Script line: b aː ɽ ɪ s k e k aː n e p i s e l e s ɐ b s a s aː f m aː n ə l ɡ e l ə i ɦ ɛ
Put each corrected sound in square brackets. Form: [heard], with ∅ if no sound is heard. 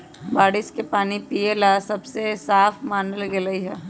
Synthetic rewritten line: b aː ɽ ɪ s k e [p] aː n [i] p i [∅] e l [a] s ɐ b s [e] s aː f m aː n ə l ɡ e l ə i ɦ ɛ